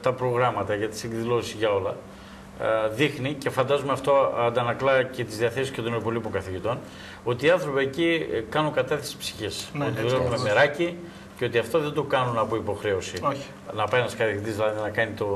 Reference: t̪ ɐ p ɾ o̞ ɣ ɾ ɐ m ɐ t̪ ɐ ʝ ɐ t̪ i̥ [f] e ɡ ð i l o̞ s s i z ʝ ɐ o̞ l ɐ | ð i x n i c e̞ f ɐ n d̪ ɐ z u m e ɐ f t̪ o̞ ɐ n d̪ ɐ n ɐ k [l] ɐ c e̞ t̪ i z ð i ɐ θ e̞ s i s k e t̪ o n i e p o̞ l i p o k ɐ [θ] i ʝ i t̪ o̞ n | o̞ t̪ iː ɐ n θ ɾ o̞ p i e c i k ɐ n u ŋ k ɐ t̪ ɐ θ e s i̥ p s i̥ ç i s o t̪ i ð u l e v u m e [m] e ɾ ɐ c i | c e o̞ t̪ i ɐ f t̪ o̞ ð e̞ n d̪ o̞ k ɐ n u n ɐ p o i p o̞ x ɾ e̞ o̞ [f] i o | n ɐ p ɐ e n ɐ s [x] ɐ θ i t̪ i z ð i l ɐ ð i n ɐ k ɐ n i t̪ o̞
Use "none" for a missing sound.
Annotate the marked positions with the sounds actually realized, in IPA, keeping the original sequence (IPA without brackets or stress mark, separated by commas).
s, l, θ, m, s, k